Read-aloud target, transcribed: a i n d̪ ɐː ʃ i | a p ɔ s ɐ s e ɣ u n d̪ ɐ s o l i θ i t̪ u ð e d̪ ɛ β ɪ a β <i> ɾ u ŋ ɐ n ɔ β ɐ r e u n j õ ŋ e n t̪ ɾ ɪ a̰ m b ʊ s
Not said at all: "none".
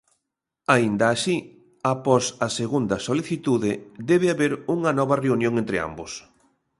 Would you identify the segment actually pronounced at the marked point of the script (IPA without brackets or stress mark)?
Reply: e